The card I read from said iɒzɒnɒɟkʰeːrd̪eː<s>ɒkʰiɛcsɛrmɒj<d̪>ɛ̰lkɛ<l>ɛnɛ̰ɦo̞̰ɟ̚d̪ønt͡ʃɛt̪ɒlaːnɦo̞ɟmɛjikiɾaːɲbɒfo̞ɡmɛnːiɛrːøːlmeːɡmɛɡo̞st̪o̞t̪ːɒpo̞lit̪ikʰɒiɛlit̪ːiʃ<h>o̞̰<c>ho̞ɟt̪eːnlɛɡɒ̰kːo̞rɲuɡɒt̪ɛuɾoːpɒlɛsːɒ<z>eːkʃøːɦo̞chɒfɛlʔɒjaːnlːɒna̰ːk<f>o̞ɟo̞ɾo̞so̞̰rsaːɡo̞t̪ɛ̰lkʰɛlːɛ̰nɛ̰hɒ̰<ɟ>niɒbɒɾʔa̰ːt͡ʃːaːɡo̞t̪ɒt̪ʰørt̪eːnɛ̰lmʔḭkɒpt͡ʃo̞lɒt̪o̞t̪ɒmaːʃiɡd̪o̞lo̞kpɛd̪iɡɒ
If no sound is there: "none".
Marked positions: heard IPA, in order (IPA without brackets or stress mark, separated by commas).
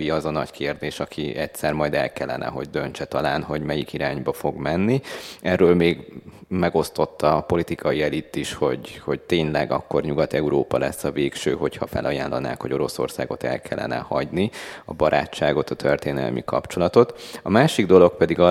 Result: ʃ, d̪, lː, h, ɟ, v, h, ɟ